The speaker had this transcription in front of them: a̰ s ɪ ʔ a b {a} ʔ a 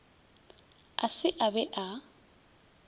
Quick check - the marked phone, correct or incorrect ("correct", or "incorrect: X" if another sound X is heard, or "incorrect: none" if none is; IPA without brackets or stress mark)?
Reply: incorrect: ɛ